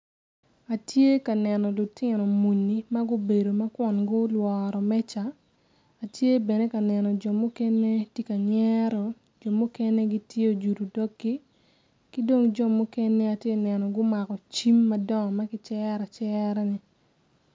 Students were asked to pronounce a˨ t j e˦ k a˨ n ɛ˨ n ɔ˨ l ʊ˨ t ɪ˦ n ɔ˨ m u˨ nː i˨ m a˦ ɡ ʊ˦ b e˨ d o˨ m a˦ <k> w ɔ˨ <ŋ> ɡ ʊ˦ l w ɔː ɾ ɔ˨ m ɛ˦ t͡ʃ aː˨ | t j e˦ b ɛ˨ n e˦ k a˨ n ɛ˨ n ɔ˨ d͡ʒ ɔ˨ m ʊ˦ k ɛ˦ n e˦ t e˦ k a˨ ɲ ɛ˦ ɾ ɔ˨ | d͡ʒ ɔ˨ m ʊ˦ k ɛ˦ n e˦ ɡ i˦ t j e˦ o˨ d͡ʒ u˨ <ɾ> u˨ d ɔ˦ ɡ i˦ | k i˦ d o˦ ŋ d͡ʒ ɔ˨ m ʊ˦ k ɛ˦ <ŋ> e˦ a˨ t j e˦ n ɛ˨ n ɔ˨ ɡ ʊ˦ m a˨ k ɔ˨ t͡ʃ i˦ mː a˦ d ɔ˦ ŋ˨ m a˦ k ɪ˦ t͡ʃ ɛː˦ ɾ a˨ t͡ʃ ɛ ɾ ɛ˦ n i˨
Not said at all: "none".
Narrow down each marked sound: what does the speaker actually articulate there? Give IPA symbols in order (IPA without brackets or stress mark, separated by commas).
k, n, ɾ, n